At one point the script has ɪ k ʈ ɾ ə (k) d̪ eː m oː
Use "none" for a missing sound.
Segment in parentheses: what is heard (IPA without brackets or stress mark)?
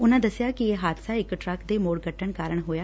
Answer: k